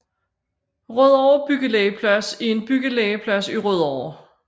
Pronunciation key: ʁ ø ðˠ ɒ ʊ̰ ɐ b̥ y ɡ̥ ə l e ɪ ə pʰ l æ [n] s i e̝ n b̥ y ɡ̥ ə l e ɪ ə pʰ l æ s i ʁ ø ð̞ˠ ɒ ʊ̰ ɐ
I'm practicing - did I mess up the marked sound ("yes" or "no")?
yes